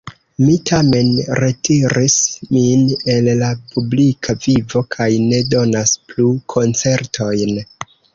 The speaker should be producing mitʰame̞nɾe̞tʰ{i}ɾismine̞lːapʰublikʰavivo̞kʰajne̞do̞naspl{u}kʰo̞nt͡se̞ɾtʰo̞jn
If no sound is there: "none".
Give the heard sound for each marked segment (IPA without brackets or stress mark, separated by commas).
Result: i, u